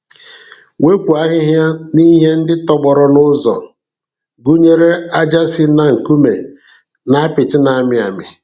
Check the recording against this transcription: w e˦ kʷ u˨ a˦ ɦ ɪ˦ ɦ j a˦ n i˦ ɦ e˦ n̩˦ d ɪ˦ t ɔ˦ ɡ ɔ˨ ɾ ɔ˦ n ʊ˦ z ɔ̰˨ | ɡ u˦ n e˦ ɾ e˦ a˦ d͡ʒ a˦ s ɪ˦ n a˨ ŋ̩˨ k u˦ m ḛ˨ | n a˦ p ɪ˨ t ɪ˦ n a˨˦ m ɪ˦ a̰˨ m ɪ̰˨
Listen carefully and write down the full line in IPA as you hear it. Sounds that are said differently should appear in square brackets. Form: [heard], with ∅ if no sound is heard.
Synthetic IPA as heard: w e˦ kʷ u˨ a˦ ɦ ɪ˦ ɦ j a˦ n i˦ ɦ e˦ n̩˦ d ɪ˦ t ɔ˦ [ɡ͡b] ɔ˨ ɾ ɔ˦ n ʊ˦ z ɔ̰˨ | ɡ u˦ [ɲ] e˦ ɾ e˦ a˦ d͡ʒ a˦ s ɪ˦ n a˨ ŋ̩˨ k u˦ m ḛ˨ | n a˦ p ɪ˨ t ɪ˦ n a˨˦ m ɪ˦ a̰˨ m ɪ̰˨